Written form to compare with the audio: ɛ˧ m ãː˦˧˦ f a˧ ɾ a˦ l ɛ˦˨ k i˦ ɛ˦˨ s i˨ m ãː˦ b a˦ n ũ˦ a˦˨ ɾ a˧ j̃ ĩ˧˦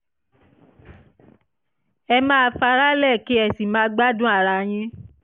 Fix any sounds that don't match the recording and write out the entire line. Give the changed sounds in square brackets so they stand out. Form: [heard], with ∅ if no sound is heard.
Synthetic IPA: ɛ˧ m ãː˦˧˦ f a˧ ɾ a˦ l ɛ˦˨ k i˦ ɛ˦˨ s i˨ m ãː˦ [ɡ͡b] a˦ [d] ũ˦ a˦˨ ɾ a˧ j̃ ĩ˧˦